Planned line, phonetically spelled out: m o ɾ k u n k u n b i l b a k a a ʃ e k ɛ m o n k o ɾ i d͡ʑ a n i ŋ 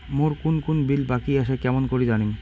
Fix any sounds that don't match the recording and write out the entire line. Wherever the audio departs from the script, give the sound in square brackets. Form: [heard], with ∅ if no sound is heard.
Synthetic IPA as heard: m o ɾ k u n k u n b i l b a k [i] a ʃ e k ɛ m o n k o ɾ i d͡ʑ a n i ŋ